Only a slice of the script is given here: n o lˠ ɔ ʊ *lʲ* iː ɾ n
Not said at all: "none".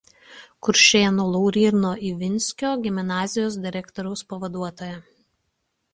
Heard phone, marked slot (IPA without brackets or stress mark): ɾʲ